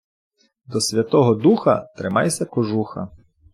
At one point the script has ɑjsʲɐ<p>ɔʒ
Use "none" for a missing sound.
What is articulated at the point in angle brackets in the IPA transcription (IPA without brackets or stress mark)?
k